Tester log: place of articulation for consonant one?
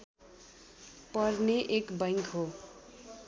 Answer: labial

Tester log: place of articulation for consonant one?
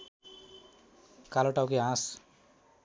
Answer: velar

